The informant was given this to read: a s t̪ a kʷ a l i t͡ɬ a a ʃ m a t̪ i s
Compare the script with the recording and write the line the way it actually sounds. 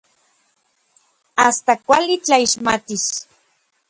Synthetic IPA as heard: a s t̪ a kʷ a l i t͡ɬ a i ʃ m a t̪ i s